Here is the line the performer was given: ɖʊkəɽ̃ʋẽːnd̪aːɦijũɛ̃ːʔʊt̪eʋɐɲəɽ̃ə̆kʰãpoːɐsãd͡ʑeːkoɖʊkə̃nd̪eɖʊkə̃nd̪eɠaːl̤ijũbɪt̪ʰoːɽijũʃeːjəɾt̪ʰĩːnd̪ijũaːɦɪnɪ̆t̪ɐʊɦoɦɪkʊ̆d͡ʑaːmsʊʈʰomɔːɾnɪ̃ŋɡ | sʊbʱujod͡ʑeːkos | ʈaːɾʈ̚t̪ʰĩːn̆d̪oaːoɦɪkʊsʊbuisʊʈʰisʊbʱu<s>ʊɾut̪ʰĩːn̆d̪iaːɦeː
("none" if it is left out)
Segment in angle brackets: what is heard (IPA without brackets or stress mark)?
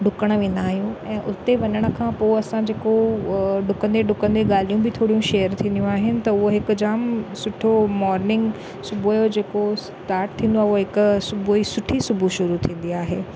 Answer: ʃ